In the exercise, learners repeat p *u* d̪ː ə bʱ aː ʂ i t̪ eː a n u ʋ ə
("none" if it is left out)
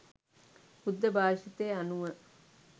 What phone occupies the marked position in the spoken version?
u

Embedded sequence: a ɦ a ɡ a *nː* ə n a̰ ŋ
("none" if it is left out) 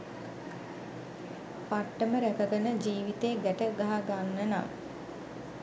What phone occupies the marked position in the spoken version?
nː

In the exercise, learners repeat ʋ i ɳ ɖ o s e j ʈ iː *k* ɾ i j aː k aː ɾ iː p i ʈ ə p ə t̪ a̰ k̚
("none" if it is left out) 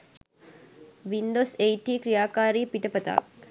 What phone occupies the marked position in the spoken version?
k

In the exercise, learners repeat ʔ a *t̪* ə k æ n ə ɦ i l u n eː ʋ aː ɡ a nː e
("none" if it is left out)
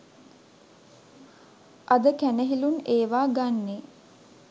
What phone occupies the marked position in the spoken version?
d̪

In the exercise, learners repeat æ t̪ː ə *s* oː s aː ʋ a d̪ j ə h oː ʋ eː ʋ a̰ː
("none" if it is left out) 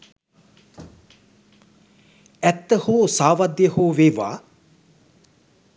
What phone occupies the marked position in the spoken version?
h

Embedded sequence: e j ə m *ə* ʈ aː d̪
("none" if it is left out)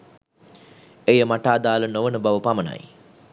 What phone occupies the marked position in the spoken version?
a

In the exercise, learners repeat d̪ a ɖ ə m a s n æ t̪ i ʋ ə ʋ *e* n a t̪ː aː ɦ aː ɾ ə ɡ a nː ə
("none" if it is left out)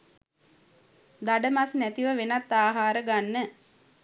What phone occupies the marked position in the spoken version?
e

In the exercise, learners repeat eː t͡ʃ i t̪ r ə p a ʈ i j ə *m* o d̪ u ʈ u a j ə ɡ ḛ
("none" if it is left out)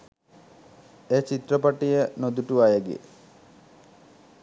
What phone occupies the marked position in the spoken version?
n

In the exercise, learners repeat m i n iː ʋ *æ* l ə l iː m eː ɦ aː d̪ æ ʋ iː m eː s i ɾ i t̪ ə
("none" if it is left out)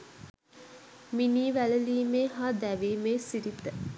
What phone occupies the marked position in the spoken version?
æ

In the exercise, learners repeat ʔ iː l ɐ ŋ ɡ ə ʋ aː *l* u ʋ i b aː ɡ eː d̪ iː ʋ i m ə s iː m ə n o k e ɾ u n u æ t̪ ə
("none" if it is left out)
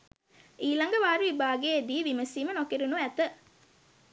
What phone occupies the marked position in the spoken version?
ɾ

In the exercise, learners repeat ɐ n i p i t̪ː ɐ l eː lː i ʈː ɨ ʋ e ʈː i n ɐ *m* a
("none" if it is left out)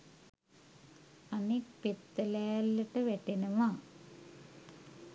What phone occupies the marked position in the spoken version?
m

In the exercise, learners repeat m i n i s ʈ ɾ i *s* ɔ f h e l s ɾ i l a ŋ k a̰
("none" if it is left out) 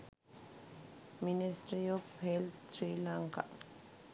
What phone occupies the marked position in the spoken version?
none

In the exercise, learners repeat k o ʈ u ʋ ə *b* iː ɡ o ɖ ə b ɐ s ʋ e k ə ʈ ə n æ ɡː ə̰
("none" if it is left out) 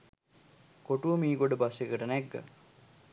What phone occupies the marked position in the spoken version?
m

